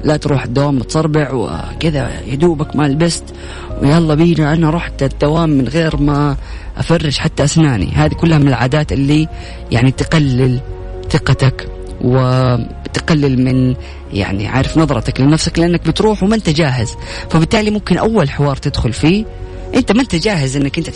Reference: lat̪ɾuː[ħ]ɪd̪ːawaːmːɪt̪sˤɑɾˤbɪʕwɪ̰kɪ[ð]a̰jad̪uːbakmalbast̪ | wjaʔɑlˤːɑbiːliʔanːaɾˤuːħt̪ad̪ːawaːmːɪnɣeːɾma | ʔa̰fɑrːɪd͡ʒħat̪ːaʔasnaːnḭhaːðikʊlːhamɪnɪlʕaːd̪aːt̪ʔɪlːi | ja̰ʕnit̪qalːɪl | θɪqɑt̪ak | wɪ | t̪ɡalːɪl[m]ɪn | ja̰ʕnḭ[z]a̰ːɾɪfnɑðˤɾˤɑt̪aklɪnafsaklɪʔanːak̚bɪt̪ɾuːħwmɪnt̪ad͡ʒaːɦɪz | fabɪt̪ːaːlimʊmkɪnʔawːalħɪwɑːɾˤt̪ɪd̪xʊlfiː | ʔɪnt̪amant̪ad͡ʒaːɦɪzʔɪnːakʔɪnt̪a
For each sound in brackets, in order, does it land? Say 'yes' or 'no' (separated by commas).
yes, yes, yes, no